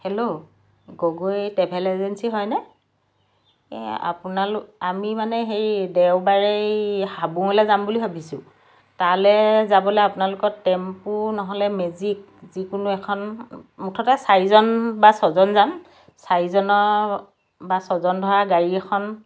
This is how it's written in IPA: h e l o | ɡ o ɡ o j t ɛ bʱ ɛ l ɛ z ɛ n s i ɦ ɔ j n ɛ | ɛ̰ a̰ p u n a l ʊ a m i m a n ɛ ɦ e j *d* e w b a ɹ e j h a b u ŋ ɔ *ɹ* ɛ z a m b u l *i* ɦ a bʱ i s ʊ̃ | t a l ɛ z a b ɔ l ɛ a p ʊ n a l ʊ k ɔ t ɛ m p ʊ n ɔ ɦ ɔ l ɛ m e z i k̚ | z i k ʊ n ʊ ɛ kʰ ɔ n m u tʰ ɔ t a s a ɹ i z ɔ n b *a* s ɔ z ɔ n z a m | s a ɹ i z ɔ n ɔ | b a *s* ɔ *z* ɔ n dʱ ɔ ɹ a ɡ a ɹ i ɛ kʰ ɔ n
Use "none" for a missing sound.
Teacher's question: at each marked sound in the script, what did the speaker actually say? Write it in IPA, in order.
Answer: d, l, i, a, s, z

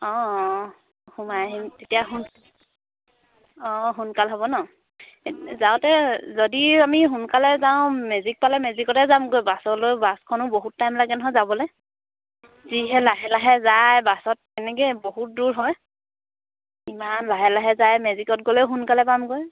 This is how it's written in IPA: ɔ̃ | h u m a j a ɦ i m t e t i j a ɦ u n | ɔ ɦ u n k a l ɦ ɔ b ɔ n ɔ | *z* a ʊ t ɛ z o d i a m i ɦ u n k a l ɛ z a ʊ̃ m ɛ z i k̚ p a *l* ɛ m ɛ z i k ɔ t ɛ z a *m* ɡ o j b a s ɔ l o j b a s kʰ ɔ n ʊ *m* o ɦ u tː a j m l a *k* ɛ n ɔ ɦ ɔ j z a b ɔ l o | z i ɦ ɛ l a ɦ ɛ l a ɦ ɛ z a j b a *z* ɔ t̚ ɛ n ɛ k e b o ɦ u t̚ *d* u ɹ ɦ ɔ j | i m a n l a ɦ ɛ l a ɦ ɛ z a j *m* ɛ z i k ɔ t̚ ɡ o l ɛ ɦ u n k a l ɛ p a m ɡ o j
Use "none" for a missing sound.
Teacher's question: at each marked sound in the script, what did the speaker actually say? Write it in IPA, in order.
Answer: z, l, m, b, ɡ, s, d, m

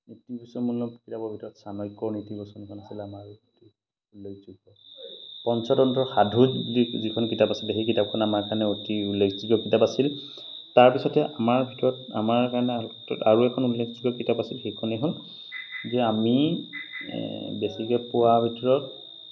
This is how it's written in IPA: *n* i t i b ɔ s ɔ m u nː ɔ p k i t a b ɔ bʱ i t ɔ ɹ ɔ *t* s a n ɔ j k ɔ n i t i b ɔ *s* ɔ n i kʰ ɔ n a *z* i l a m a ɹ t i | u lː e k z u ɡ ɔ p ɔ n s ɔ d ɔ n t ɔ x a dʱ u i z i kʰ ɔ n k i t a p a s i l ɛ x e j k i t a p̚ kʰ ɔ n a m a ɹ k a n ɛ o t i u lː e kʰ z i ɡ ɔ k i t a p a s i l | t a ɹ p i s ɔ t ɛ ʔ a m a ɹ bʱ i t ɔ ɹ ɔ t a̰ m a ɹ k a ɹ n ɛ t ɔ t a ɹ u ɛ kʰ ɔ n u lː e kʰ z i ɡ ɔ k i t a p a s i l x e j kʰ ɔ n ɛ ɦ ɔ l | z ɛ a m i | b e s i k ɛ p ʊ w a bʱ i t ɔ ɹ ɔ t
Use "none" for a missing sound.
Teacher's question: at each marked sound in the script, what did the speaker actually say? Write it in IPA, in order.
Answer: n, t, s, s

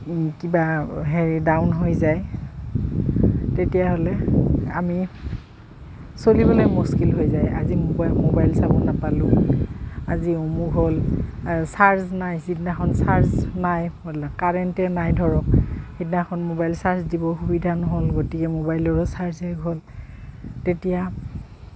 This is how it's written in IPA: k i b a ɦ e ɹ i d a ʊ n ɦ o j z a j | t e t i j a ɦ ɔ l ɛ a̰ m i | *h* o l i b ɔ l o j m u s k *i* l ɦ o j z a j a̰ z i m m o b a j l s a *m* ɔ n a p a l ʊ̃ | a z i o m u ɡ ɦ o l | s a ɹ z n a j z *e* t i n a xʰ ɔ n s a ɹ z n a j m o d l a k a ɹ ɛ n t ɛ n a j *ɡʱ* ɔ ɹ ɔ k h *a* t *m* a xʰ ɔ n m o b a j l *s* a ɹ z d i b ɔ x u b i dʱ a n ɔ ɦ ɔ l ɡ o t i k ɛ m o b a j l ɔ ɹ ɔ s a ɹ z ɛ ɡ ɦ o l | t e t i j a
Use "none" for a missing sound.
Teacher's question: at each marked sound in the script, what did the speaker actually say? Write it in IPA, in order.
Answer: s, i, b, i, dʱ, i, n, s

